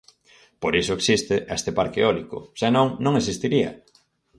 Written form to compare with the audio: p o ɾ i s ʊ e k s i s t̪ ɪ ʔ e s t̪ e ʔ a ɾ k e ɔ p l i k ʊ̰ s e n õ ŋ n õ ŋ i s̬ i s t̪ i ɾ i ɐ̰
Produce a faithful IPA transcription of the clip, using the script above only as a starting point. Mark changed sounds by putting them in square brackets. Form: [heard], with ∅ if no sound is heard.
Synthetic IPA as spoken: p o ɾ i s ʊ e k s i s t̪ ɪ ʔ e s t̪ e [p] a ɾ k e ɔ [∅] l i k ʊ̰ s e n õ ŋ n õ ŋ [e] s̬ i s t̪ i ɾ i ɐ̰